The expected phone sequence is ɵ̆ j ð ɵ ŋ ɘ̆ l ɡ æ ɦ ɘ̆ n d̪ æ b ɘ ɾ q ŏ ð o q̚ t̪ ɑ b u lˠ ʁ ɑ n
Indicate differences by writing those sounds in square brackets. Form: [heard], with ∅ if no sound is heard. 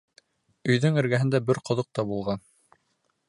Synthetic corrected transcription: ɵ̆ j ð ɵ ŋ ɘ̆ [ɾ] ɡ æ ɦ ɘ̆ n d̪ æ b ɘ ɾ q ŏ ð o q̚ t̪ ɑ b u lˠ ʁ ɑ n